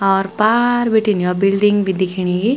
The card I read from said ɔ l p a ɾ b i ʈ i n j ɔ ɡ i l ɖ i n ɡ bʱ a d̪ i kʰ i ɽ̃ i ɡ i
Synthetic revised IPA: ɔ ɾ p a ɾ b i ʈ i n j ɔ b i l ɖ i ŋ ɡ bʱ i d̪ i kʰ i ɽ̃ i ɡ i